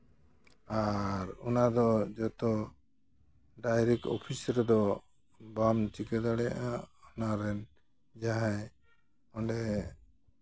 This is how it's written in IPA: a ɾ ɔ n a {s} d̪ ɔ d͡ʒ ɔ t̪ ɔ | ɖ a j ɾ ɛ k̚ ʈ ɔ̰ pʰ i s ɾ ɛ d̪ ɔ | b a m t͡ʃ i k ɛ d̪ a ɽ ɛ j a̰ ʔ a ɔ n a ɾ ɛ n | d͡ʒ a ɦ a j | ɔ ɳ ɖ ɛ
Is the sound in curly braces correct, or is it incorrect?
incorrect